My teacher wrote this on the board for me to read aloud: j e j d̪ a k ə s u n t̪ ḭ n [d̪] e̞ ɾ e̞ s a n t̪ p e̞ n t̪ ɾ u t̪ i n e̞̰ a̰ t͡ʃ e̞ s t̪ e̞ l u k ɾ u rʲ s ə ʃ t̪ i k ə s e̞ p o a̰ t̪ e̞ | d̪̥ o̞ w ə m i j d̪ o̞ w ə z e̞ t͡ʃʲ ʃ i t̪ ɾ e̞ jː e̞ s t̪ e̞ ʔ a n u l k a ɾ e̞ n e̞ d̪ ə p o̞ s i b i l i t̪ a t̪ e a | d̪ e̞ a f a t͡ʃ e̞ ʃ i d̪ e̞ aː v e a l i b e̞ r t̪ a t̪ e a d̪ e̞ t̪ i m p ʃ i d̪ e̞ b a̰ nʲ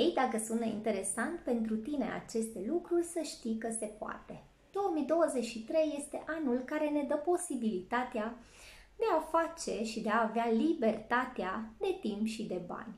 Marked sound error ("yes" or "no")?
yes